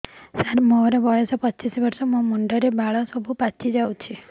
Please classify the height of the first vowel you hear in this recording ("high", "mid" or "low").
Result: low